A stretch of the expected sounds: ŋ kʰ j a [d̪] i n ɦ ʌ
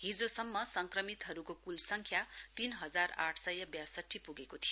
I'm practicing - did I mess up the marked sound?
yes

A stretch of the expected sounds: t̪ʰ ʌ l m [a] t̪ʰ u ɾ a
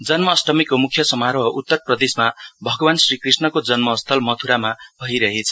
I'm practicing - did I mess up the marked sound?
yes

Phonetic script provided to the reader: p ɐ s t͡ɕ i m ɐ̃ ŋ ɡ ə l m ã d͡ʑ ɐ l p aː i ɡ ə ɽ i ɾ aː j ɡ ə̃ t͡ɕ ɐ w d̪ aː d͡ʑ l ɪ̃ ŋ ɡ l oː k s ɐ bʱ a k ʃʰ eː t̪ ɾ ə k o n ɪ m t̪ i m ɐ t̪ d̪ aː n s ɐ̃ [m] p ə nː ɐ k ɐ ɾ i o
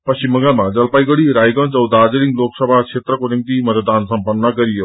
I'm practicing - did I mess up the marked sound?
no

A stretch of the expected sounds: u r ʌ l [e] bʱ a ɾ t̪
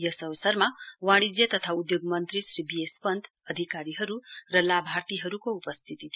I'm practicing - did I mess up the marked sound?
yes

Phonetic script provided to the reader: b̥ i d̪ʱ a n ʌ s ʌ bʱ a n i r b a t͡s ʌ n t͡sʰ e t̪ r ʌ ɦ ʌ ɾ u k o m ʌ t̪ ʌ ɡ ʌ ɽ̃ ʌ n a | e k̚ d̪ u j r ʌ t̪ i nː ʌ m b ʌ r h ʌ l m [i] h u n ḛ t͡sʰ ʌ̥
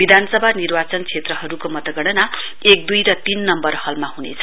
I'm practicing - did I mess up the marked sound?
yes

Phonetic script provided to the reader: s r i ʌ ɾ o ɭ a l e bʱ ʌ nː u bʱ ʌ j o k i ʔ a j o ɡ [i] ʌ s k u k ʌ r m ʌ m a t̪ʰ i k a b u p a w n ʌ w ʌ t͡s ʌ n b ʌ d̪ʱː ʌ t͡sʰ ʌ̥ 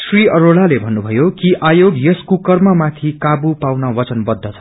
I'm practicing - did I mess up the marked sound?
yes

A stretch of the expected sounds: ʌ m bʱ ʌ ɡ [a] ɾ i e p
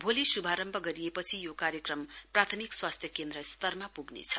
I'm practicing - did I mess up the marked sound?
yes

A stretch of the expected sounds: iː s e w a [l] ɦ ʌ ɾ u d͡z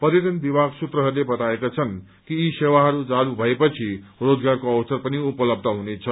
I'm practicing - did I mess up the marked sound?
yes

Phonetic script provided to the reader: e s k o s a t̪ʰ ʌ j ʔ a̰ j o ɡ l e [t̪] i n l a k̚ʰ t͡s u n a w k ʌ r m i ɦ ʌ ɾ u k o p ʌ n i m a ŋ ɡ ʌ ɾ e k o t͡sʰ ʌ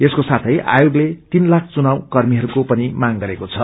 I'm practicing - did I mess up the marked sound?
no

